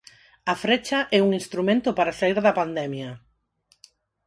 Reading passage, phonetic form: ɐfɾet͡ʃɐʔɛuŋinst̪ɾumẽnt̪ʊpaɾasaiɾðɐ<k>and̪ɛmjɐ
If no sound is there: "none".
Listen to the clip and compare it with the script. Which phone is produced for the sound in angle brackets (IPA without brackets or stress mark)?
p